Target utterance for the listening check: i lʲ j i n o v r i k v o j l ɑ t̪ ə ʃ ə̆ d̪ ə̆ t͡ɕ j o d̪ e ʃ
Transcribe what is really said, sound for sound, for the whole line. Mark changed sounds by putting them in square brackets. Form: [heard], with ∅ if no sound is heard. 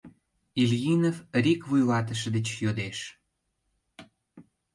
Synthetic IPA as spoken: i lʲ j i n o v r i k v [u] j l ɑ t̪ ə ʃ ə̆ d̪ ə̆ t͡ɕ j o d̪ e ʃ